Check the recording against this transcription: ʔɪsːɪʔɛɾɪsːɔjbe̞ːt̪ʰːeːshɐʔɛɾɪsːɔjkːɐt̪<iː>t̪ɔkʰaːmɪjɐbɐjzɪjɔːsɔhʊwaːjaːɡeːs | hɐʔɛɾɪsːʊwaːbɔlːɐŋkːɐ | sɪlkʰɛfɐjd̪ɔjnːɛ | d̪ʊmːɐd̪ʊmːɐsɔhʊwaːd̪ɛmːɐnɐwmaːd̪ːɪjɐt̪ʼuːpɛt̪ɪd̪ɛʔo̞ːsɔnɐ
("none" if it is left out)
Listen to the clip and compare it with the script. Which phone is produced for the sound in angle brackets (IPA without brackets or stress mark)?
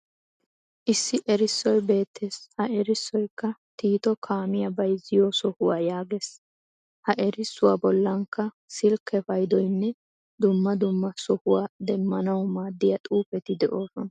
iː